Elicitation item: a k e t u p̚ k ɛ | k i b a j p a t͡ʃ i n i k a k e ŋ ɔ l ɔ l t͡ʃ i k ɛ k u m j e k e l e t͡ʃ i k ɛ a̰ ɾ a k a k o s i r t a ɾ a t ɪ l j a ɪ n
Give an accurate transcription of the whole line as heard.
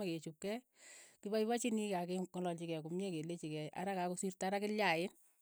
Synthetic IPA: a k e t͡ʃ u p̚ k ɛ | k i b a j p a t͡ʃ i n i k a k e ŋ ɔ l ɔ l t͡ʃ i k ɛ k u m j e k e l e t͡ʃ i k ɛ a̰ ɾ a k a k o s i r t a ɾ a k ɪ l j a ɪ n